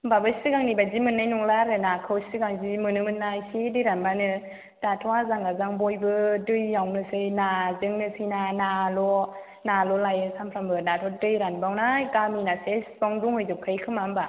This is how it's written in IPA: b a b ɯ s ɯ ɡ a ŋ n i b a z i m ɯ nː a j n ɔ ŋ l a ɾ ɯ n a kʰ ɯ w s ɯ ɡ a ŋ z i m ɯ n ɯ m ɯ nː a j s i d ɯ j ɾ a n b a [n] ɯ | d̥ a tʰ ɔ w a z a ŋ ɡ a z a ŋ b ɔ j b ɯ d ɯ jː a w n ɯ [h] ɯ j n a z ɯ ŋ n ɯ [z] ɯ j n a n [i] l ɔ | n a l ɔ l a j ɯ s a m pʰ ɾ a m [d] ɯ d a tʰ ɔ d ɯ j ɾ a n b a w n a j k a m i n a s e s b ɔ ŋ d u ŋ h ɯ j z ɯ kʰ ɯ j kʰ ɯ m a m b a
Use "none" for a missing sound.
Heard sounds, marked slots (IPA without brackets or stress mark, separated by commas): n, s, s, a, b